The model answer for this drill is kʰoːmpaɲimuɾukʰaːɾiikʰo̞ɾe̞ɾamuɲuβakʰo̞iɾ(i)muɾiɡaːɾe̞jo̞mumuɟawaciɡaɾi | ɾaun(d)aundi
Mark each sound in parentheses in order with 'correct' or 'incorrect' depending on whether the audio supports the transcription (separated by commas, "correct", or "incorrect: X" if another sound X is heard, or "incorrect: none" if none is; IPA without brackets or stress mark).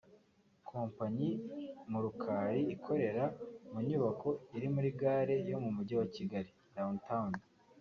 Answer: correct, incorrect: t